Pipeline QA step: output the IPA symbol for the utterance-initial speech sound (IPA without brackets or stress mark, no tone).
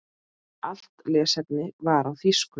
a